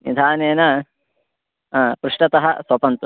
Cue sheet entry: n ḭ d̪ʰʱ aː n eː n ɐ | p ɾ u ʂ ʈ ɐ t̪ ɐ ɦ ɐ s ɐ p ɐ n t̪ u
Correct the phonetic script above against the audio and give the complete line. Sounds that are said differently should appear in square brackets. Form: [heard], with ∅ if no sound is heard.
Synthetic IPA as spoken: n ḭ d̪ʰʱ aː n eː n ɐ | p ɾ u ʂ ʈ ɐ t̪ ɐ ɦ ɐ s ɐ p ɐ n t̪ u